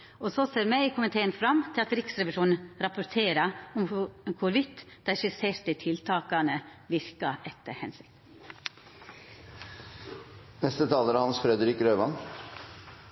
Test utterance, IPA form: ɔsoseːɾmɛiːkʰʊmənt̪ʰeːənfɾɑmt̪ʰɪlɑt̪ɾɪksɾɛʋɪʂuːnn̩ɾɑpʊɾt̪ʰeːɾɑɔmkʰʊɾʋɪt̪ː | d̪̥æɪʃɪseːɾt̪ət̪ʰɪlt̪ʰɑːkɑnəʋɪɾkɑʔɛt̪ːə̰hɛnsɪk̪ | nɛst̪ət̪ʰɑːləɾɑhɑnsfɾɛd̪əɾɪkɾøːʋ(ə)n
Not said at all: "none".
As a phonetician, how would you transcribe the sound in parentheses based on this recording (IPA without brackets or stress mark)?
ɑ